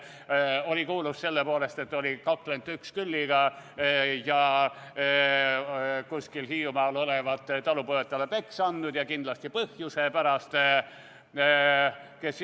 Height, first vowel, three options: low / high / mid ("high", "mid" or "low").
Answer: mid